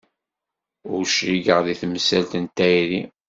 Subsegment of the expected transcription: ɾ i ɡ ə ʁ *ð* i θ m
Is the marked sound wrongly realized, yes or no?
no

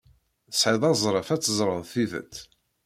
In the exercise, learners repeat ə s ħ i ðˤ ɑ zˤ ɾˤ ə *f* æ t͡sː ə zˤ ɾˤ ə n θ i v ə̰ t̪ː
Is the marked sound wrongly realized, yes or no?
no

